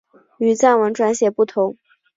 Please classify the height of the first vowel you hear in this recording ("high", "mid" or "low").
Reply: high